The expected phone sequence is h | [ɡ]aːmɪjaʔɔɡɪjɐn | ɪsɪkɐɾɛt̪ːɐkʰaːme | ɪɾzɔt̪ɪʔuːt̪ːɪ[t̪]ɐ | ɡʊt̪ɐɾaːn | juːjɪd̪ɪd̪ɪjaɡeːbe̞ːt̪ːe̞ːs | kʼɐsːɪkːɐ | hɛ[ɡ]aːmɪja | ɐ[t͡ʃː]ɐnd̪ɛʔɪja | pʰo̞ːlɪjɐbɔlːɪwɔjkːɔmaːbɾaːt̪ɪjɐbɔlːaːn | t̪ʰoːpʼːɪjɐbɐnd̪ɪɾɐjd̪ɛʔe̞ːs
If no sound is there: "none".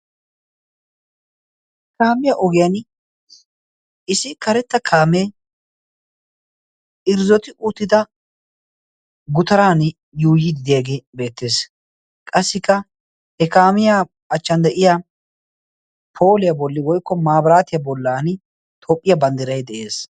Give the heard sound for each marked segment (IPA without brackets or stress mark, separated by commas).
k, d̪, k, t͡ʃː